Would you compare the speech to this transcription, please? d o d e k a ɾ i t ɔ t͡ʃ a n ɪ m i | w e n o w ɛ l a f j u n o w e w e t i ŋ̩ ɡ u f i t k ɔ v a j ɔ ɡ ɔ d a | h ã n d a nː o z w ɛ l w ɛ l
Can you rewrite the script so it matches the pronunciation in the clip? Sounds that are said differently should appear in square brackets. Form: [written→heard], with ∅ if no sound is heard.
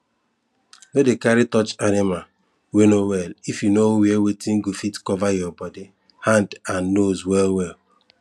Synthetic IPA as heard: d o d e k a ɾ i t ɔ t͡ʃ a n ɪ m [i→a] | w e n o w ɛ l [a→i] f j u n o w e w e t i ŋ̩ ɡ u f i t k ɔ v a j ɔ [ɡ→b] ɔ d [a→i] | h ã n d a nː o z w ɛ l w ɛ l